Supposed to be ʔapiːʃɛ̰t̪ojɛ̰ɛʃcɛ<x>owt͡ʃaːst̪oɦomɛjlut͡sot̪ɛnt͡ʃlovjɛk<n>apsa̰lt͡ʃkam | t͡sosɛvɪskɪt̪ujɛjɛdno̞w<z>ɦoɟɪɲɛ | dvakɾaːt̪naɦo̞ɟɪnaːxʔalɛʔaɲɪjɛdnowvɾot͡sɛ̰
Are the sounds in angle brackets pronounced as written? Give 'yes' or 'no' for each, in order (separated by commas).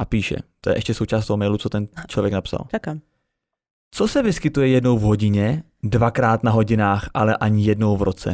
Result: no, yes, no